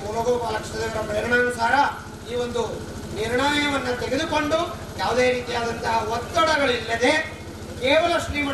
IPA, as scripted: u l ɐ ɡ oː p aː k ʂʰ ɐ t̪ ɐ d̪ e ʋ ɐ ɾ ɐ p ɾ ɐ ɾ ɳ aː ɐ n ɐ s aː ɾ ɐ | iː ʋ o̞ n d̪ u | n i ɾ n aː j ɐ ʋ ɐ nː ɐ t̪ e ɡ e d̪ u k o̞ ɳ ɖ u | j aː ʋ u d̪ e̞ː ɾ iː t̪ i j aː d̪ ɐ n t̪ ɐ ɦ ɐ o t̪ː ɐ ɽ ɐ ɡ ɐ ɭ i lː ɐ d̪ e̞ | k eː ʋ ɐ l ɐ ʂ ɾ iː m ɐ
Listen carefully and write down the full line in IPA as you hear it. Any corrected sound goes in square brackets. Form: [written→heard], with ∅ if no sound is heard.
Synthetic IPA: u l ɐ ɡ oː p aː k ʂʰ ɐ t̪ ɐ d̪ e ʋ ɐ ɾ ɐ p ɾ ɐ ɾ ɳ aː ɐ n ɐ s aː ɾ ɐ | iː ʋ o̞ n d̪ u | n i ɾ [n→ɳ] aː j ɐ ʋ ɐ nː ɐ t̪ e ɡ e d̪ u k o̞ ɳ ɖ u | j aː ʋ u d̪ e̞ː ɾ iː t̪ i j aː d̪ ɐ n t̪ ɐ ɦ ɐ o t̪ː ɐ ɽ ɐ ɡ ɐ ɭ i lː ɐ d̪ e̞ | k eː ʋ ɐ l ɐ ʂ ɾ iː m ɐ